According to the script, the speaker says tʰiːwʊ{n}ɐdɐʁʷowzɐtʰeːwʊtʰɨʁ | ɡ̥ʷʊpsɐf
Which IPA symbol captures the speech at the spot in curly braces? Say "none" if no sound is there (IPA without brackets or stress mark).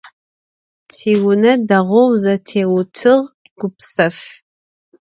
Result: n